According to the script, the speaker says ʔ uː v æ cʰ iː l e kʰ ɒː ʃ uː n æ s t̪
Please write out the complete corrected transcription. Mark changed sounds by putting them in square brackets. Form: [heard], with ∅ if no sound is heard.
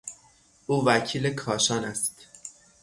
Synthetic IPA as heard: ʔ uː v æ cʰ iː l e kʰ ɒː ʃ [ɒː] n æ s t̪